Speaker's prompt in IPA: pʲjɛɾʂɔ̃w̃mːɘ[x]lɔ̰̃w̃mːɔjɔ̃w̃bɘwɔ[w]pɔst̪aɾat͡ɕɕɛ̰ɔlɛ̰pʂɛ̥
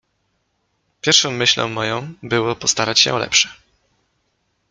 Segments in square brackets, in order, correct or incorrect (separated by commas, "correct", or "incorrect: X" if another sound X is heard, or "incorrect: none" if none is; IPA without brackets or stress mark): incorrect: ɕ, incorrect: none